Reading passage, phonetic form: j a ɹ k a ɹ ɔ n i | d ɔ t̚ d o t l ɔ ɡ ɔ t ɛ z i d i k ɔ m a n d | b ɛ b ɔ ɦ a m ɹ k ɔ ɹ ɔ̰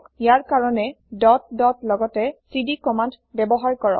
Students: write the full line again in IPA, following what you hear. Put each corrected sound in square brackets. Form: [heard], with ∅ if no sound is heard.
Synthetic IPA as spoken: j a ɹ k a ɹ ɔ n [ɛ] | d ɔ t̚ d [ɔ] t l ɔ ɡ ɔ t ɛ [s] i d i k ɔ m a n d | b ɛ b ɔ ɦ a [∅] ɹ k ɔ ɹ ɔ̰